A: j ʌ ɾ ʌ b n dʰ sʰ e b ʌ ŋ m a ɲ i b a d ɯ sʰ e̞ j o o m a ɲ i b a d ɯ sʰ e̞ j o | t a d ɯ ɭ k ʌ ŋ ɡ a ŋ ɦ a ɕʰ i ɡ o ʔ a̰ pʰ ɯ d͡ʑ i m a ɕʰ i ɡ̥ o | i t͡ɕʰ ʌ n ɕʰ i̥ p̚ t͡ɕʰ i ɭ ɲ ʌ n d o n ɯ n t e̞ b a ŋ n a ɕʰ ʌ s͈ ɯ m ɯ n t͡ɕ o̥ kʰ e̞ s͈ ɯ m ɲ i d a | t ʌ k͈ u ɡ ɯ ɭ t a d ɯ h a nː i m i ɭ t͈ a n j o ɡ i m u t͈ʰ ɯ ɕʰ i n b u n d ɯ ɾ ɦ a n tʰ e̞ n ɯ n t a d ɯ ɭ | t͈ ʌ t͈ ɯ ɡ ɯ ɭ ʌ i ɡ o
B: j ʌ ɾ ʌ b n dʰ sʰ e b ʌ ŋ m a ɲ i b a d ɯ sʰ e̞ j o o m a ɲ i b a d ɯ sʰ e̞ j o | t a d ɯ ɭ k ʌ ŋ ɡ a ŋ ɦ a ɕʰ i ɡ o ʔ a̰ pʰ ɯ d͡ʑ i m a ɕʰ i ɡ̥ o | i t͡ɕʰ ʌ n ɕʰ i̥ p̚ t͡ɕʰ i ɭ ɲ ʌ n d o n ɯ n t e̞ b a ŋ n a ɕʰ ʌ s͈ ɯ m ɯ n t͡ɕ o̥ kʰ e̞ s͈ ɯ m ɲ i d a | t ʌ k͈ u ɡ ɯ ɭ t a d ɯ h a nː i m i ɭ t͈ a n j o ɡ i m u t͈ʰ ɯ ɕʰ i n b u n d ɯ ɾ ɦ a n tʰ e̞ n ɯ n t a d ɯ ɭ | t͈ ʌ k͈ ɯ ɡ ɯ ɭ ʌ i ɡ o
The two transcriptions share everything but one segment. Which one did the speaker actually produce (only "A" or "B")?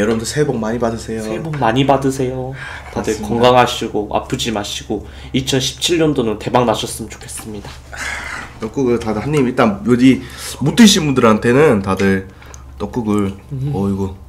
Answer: B